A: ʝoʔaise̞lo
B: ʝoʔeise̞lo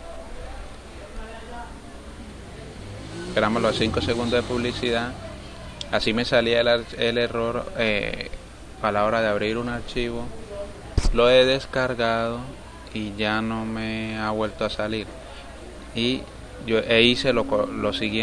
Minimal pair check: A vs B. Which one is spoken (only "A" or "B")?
B